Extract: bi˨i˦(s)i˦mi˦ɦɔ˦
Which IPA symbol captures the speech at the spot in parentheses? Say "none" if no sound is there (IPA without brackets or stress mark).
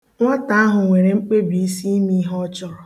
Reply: s